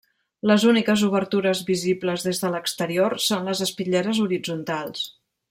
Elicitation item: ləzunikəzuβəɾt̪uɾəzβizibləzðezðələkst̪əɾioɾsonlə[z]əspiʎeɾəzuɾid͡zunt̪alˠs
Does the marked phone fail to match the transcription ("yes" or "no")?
no